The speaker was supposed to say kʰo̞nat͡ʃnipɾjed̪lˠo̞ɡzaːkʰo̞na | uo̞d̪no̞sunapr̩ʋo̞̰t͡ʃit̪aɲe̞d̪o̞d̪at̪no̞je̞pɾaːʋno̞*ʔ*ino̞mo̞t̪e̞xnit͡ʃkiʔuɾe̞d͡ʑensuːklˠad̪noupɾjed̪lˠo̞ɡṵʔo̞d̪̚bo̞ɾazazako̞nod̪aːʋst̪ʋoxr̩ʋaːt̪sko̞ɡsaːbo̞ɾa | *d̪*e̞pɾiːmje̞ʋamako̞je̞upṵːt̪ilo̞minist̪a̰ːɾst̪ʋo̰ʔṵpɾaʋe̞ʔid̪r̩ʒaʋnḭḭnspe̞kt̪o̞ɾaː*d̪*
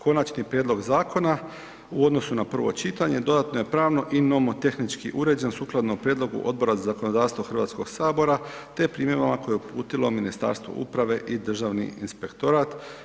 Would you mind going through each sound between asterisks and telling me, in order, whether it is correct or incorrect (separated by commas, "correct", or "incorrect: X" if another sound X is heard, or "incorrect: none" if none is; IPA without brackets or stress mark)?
correct, incorrect: t̪, incorrect: t̪